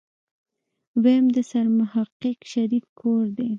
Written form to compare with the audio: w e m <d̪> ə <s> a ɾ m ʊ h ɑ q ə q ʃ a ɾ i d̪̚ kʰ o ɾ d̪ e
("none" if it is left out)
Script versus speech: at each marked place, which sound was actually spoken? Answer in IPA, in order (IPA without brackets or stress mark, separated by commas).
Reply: d̪, s